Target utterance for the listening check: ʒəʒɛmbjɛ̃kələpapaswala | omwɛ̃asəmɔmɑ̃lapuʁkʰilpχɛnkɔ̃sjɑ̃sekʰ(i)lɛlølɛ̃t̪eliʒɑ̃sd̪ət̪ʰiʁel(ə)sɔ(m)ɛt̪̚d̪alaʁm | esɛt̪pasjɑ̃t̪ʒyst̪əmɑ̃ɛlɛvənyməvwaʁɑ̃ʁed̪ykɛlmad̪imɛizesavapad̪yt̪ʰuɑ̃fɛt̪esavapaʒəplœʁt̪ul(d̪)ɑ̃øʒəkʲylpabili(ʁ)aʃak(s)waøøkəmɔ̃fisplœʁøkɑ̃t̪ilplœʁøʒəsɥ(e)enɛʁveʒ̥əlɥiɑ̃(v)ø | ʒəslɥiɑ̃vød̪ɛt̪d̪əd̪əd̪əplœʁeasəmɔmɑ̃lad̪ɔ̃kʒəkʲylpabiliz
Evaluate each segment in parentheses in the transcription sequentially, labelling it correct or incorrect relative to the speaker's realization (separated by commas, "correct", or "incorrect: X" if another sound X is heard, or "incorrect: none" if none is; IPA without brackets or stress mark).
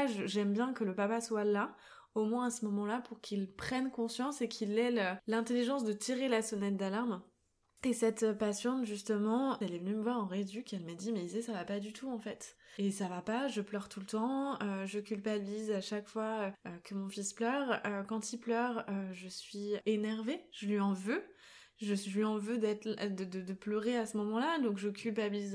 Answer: correct, incorrect: a, incorrect: n, incorrect: t̪, incorrect: z, incorrect: f, incorrect: i, correct